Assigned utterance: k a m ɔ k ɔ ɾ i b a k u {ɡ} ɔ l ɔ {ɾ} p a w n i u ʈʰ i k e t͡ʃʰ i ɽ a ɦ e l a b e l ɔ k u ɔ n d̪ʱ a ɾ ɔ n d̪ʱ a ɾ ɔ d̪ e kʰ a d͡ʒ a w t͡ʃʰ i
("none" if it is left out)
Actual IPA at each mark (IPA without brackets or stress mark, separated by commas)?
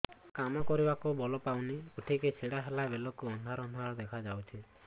b, none